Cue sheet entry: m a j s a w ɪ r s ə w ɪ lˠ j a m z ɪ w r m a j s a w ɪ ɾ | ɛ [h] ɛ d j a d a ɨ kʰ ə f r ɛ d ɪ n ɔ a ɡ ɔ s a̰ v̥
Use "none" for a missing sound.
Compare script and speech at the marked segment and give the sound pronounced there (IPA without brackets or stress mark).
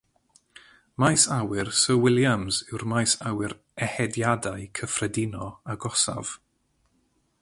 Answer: h